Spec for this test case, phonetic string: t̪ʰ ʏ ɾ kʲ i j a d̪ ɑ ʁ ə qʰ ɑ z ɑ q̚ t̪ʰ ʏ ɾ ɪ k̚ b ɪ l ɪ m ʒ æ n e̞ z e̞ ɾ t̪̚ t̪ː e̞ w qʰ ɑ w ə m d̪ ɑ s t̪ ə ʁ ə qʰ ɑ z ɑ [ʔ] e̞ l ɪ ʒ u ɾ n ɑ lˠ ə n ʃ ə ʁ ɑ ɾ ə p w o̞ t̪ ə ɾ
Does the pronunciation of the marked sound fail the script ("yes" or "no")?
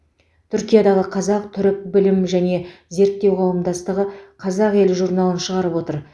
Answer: yes